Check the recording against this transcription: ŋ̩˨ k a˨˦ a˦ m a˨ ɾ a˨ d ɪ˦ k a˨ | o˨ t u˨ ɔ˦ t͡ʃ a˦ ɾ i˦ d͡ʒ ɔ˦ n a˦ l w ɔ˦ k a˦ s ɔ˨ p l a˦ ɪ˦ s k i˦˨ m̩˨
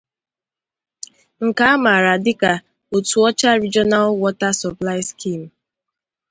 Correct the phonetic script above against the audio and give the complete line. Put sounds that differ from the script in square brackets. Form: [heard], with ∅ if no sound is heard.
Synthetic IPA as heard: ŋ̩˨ k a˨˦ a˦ m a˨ ɾ a˨ d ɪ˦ k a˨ | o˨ t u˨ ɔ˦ t͡ʃ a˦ ɾ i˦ d͡ʒ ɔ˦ n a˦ l w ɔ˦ [t] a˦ s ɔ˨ p l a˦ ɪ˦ s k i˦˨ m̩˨